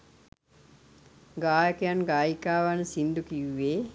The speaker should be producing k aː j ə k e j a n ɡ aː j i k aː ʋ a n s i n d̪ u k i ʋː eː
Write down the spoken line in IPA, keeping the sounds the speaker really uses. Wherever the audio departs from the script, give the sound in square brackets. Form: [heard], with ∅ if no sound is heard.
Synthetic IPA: [ɡ] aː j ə k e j a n ɡ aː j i k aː ʋ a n s i n d̪ u k i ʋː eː